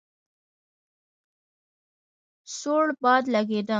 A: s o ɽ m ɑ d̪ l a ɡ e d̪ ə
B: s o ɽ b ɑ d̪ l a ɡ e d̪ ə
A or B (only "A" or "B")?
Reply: B